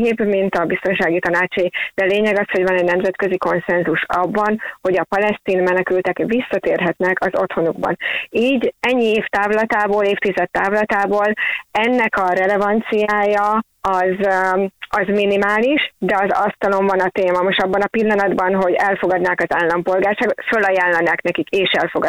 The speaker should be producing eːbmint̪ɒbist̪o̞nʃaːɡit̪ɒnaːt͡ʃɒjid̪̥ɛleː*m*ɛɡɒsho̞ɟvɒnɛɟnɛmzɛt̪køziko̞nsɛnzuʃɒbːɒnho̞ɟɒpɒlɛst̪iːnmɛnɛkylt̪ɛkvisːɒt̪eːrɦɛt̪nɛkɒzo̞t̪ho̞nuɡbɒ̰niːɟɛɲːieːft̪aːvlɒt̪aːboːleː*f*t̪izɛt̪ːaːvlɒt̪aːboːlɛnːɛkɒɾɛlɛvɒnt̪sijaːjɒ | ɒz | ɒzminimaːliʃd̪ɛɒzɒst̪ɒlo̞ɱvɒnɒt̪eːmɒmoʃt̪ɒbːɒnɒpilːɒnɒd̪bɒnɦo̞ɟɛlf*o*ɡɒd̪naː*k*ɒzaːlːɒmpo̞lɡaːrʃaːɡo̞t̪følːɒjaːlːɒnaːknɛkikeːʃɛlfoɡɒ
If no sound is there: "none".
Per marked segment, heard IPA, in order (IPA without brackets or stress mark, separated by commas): ɲ, f, o, k